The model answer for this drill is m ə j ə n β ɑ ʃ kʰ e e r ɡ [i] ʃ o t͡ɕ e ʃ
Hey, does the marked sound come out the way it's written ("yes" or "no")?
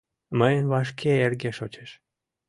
no